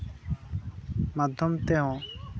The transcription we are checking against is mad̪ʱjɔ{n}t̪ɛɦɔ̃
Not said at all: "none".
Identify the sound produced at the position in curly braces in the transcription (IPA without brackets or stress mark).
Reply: m